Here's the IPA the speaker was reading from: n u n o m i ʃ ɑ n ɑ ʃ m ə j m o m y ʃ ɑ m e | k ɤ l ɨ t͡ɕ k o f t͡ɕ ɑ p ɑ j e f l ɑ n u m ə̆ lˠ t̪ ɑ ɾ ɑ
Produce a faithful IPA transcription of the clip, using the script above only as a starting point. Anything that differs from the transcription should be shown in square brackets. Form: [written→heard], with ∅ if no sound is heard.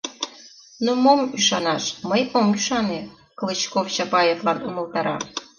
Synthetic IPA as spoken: n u [n→m] o m [i→y] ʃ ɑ n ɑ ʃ m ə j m o m y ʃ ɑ [m→n] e | k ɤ l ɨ t͡ɕ k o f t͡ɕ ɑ p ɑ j e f l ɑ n u m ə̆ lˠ t̪ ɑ ɾ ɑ